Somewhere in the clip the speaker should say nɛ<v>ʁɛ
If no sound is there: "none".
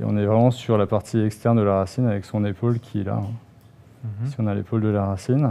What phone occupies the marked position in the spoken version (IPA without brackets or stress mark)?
v